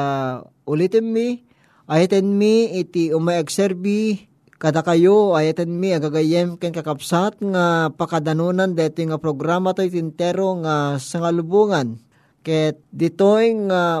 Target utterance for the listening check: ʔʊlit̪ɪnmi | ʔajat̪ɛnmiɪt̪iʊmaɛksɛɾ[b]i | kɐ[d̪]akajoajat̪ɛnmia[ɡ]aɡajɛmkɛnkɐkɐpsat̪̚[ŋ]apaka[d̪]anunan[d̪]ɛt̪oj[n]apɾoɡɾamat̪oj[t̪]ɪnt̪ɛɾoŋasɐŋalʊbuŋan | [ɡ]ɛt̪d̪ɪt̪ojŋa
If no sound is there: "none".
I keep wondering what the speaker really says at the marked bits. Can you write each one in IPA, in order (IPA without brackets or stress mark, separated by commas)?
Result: b, d̪, ɡ, ŋ, d̪, d̪, ŋ, t̪, k